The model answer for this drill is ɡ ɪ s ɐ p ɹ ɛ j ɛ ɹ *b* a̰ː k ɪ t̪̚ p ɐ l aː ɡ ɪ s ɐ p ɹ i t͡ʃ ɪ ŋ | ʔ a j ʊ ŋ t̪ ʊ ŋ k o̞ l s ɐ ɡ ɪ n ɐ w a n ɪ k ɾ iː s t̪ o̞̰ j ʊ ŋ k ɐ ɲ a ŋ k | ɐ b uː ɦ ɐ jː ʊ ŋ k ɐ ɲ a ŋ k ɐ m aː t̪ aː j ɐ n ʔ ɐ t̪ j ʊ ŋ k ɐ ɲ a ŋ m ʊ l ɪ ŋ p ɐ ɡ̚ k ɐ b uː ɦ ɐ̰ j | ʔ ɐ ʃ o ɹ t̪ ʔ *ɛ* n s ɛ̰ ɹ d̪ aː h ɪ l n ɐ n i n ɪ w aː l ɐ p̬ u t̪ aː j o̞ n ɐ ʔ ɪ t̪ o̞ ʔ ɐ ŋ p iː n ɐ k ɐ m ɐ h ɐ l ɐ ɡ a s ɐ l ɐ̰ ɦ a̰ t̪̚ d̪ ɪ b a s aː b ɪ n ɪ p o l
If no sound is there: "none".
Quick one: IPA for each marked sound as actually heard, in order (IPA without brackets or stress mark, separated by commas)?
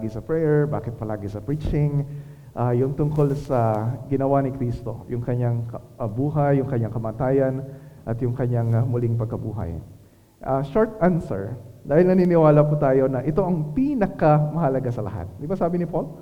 b, a